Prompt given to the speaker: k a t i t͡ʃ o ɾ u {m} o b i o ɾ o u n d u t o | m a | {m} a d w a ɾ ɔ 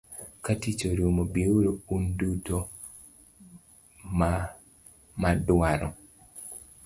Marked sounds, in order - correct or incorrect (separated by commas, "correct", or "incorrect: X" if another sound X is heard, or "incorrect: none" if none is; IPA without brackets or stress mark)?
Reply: correct, correct